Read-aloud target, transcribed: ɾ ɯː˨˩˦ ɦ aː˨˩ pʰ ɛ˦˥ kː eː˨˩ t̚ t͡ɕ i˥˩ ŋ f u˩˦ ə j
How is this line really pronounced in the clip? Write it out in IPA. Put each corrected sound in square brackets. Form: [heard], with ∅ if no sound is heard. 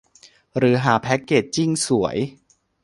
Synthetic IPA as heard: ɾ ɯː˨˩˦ ɦ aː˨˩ pʰ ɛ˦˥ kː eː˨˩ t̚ t͡ɕ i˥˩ ŋ [s] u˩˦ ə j